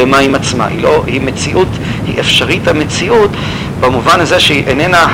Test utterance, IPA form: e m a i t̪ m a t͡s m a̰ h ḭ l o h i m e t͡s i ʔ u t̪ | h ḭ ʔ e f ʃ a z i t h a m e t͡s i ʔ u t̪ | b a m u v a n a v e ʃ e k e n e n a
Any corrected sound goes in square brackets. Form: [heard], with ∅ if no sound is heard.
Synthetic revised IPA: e m a i [∅] m a t͡s m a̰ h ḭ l o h i m e t͡s i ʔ u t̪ | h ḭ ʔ e f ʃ a [ʁ] i t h a m e t͡s i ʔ u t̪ | b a m u v a n a [z] e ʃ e [ʔ] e n e n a